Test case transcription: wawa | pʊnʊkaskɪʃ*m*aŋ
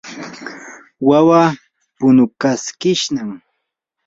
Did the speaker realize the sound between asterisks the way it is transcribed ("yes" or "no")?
no